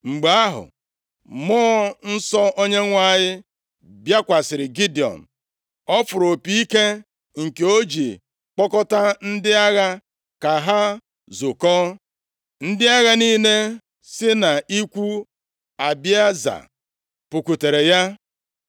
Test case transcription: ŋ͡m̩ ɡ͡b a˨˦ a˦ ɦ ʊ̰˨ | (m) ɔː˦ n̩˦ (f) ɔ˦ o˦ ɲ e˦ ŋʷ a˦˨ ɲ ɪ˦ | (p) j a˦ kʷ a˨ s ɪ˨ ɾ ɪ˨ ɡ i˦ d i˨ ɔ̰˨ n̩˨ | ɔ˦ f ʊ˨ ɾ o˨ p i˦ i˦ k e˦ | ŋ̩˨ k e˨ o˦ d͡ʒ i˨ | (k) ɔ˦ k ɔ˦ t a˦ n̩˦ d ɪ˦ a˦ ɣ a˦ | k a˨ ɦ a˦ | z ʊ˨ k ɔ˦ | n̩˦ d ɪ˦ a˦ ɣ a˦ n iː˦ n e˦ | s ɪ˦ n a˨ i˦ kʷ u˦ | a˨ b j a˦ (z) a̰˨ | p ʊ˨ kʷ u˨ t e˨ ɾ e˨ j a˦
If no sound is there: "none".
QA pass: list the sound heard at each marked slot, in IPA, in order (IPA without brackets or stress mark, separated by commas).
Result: m, s, b, k͡p, z